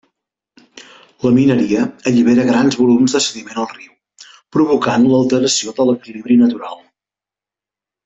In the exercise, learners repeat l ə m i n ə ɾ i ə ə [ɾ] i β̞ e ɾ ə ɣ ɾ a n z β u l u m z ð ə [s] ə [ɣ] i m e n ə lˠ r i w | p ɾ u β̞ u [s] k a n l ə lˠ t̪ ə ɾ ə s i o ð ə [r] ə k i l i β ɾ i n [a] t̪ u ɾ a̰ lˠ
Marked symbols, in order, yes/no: no, yes, no, no, no, no

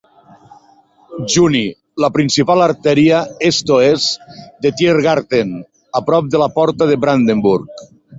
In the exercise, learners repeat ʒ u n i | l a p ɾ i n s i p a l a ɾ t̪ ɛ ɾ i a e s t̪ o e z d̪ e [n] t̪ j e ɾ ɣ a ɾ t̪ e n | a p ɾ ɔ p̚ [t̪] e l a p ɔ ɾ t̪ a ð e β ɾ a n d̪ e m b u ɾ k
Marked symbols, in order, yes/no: no, no

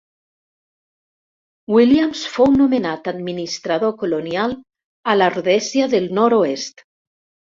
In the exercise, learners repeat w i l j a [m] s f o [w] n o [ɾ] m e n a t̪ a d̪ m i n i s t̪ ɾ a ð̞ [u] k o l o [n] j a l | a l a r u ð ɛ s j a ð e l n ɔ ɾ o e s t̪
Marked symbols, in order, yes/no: yes, yes, no, no, yes

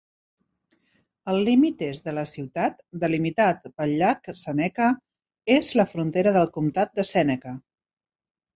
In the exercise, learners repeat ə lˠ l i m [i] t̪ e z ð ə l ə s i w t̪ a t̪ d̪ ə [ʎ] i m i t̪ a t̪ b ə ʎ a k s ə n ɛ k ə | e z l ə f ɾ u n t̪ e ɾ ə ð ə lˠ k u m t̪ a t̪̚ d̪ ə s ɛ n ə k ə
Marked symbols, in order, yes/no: yes, no

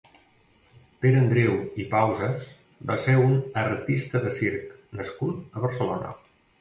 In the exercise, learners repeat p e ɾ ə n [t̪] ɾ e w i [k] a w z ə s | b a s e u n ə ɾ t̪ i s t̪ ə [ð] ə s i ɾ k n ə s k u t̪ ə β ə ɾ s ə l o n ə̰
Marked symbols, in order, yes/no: no, no, yes

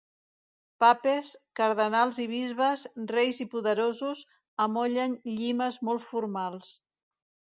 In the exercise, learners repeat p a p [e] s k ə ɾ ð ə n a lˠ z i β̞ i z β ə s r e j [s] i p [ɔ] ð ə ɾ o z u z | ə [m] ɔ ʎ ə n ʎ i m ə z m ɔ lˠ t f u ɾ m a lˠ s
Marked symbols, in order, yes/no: yes, no, no, yes

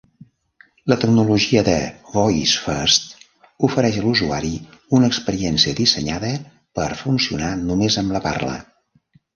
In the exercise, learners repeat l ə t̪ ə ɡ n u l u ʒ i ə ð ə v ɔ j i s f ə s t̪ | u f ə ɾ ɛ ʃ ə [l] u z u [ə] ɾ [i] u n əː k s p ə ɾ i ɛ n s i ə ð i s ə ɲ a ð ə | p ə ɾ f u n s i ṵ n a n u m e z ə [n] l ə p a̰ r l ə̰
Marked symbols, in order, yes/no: yes, no, yes, no

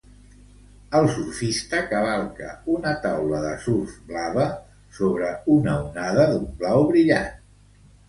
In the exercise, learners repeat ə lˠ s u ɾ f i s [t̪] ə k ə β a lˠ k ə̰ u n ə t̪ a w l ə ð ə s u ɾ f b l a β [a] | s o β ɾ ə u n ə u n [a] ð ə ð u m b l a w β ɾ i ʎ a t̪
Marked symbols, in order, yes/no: yes, no, yes

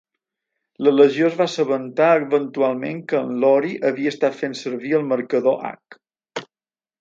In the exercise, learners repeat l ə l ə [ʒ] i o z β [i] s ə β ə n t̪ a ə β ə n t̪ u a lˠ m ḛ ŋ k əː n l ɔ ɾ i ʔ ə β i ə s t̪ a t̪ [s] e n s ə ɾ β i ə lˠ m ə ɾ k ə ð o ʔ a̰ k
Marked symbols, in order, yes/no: yes, no, no

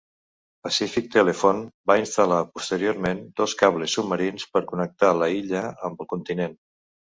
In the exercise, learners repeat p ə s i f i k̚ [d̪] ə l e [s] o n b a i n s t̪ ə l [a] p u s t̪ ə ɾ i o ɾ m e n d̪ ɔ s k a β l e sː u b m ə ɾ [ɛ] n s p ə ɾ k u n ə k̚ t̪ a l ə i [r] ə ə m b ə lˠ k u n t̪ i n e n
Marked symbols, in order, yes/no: no, no, yes, no, no

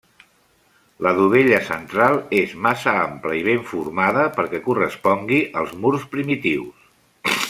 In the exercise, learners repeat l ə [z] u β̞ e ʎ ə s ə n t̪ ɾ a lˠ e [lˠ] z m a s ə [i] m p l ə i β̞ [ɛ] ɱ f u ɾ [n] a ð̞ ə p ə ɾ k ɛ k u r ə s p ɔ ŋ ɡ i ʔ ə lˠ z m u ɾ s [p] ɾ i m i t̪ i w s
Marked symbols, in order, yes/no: no, no, no, no, no, yes

